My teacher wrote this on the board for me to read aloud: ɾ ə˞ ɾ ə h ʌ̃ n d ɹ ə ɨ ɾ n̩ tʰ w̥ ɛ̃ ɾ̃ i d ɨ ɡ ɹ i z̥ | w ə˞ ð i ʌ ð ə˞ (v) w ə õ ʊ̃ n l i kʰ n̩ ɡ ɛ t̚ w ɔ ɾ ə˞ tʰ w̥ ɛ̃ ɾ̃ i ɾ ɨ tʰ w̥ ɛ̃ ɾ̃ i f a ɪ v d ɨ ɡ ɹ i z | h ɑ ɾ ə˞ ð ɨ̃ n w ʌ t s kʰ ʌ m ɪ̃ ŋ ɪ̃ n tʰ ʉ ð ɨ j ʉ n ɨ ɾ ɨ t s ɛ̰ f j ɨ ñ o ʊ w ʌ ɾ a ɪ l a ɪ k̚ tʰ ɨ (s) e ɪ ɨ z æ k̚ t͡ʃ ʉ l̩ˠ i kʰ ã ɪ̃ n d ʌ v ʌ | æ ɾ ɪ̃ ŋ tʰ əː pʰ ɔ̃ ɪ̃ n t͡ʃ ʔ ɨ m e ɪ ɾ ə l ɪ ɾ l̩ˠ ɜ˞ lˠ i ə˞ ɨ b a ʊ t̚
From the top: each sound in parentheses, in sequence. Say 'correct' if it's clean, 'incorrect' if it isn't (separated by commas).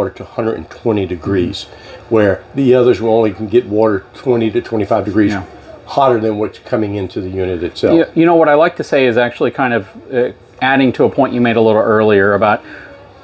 incorrect, correct